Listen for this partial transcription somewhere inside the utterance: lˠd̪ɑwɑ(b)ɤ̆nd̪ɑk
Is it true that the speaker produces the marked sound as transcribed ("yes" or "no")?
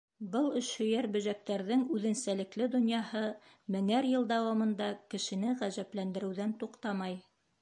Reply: no